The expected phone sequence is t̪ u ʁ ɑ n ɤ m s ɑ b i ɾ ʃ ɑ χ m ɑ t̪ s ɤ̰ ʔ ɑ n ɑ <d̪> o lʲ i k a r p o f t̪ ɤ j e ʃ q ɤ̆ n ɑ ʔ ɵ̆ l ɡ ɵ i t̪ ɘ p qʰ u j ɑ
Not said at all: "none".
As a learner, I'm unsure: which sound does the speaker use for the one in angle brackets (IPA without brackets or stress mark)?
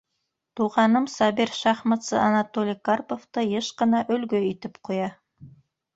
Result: t̪